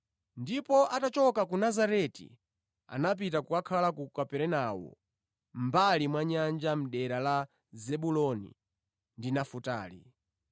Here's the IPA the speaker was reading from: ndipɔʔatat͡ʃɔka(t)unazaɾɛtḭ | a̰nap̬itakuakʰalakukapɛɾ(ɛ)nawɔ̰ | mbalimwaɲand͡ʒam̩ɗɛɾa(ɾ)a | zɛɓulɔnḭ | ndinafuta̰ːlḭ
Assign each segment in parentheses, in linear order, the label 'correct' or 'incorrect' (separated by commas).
incorrect, correct, incorrect